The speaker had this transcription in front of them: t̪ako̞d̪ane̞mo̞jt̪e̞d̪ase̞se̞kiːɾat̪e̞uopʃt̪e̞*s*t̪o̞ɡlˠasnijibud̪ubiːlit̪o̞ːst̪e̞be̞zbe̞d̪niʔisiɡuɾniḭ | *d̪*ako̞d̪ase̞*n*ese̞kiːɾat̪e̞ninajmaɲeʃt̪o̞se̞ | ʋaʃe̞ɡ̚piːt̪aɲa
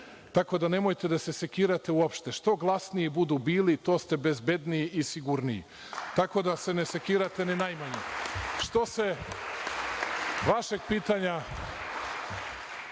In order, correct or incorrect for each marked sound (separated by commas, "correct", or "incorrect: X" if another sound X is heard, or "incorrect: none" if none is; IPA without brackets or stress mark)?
incorrect: ʃ, incorrect: t̪, correct